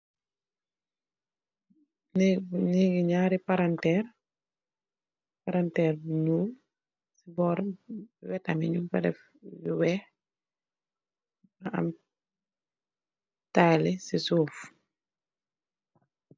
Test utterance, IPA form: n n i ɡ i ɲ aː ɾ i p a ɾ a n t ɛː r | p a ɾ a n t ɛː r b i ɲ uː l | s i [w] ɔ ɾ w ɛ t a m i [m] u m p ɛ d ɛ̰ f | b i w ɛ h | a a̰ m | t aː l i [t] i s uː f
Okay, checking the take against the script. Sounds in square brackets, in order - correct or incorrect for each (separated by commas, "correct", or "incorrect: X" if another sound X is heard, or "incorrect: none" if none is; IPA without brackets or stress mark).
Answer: incorrect: b, incorrect: ɲ, incorrect: s